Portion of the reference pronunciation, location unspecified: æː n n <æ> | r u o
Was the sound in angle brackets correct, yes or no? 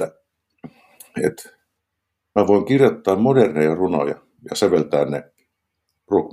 no